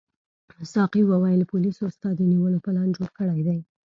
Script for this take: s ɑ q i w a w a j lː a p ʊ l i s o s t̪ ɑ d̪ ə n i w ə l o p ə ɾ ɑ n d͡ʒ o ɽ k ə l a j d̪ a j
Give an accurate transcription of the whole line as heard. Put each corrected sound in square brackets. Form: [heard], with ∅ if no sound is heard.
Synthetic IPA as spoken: s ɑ q i w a w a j [l] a p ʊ l i s o s t̪ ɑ d̪ ə n i w ə l o p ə [l] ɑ n d͡ʒ o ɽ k ə [ɽ] a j d̪ a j